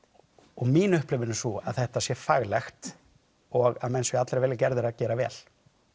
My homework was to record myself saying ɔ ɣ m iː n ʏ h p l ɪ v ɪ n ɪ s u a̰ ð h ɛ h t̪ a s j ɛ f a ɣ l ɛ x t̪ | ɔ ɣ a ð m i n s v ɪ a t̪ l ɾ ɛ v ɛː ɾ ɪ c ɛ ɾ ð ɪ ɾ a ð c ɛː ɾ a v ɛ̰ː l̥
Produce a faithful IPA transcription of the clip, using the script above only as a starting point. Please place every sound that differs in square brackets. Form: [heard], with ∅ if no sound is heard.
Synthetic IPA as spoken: ɔ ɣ m iː n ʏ h p l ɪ v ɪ n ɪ s u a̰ ð [θ] ɛ h t̪ a s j ɛ f a ɣ l ɛ x t̪ | ɔ ɣ a ð m [ɛ] n s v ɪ a t̪ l ɾ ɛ v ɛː [l] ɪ c ɛ ɾ ð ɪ ɾ a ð c ɛː ɾ a v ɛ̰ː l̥